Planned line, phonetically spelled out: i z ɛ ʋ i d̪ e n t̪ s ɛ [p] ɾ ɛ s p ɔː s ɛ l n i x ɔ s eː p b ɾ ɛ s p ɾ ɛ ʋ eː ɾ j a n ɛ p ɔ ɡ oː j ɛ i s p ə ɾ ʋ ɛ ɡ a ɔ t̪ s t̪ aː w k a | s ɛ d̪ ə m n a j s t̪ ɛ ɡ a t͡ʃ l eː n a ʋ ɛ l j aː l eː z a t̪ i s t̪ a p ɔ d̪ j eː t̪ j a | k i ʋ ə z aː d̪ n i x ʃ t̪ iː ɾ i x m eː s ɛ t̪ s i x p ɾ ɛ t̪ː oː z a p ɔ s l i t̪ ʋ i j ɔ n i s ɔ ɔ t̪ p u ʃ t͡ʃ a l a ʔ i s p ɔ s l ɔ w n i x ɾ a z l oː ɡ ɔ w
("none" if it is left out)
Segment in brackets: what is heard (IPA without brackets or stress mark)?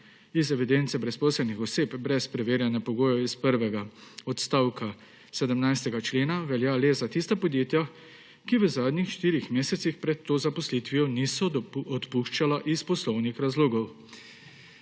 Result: b